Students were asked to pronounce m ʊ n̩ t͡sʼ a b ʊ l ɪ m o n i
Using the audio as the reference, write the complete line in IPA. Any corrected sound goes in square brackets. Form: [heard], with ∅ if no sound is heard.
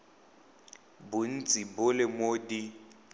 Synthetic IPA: [b] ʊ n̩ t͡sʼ [i] b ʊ l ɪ m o [d] i